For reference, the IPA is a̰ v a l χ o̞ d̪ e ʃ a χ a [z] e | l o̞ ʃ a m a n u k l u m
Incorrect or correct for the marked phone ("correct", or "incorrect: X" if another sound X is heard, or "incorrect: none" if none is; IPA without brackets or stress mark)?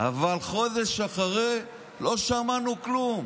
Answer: incorrect: ʁ